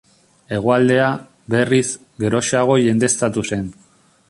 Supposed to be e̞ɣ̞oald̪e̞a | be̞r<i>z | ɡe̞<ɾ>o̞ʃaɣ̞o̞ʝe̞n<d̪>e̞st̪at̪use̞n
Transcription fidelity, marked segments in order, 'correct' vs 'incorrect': correct, correct, correct

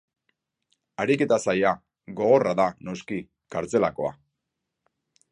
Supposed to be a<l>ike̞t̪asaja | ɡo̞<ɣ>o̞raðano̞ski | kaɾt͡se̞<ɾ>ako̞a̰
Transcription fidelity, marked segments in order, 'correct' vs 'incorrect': incorrect: ɾ, correct, incorrect: l

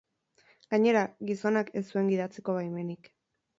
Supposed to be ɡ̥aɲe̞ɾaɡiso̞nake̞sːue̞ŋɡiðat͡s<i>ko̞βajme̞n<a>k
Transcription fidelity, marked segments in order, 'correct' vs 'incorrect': incorrect: e, incorrect: i

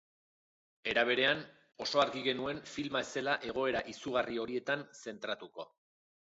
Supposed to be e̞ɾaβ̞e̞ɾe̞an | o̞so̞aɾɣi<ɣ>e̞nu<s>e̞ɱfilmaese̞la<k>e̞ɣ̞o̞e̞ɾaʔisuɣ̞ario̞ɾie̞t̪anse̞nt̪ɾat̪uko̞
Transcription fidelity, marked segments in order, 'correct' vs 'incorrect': correct, incorrect: none, incorrect: ʔ

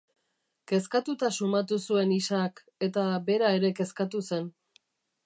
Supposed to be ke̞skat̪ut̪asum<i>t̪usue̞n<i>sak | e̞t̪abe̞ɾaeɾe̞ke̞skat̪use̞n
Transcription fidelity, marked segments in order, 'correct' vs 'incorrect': incorrect: a, correct

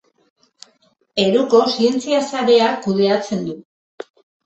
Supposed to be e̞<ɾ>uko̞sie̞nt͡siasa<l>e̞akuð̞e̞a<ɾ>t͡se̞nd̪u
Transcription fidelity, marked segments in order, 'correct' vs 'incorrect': correct, incorrect: ɾ, incorrect: none

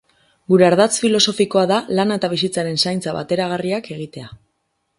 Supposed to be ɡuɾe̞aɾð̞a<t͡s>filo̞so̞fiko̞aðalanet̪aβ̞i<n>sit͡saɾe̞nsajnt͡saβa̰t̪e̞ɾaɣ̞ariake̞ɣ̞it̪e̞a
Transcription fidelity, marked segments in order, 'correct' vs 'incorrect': correct, incorrect: none

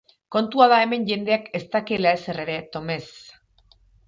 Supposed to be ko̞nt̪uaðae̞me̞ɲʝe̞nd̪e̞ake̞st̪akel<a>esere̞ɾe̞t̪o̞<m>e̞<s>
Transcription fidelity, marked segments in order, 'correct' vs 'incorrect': correct, correct, correct

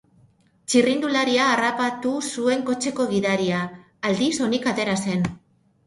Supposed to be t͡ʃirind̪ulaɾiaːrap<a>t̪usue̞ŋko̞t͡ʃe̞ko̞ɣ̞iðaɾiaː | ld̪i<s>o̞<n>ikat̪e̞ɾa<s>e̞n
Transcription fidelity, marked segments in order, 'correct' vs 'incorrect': correct, correct, correct, correct

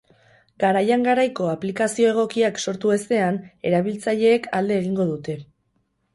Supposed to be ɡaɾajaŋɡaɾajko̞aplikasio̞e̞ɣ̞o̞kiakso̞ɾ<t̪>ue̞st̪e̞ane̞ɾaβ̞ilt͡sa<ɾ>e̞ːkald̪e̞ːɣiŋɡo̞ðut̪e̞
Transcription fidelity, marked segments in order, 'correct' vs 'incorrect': correct, incorrect: ʎ

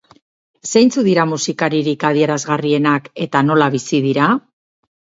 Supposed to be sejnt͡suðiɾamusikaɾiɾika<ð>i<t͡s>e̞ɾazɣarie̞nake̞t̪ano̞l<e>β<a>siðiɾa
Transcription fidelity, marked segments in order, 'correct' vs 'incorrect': correct, incorrect: none, incorrect: a, incorrect: i

